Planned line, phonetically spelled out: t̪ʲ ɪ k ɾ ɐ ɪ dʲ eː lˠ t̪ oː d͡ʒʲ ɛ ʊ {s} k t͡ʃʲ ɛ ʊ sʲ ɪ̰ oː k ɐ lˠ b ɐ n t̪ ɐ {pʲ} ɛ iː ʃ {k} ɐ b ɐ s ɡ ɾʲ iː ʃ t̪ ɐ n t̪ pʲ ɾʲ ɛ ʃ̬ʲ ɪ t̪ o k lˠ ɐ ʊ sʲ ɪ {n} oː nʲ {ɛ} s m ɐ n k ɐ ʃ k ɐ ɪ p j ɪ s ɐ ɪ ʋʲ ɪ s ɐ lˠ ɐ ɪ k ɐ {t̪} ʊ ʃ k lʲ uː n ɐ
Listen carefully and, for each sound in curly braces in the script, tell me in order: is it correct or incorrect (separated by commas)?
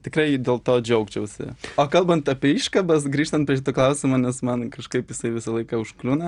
incorrect, correct, correct, incorrect, correct, incorrect